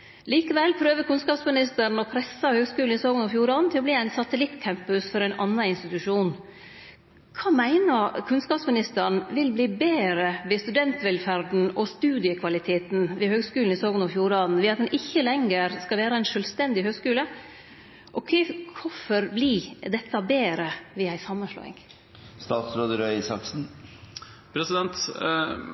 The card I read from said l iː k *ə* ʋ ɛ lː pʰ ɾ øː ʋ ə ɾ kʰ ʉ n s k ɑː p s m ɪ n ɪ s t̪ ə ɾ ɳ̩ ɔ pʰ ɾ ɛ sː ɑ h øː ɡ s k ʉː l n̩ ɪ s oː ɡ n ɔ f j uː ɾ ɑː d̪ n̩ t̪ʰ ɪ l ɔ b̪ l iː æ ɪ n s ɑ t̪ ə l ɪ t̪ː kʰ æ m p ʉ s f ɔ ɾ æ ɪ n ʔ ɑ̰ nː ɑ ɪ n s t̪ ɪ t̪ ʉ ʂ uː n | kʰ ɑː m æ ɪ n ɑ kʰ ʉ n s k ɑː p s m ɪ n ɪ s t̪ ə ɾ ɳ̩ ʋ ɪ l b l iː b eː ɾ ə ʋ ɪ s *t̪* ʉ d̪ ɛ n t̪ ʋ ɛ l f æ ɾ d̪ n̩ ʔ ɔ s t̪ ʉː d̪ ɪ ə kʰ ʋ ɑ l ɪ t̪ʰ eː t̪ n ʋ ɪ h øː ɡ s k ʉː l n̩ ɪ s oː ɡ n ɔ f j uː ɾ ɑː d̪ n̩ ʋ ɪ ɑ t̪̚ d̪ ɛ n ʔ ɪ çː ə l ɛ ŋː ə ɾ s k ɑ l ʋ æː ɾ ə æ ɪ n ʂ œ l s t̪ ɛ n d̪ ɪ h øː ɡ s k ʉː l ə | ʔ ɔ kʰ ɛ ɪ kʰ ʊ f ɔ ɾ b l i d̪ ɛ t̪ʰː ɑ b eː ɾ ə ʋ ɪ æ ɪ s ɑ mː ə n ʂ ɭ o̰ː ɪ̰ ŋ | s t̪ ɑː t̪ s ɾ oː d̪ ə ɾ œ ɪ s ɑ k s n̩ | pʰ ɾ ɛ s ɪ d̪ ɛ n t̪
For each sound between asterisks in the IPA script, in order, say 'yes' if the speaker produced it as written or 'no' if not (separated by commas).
yes, yes